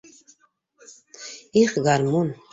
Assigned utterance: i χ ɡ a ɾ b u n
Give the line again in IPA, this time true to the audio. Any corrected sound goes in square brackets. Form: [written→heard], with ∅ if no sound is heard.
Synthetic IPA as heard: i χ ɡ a ɾ [b→m] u n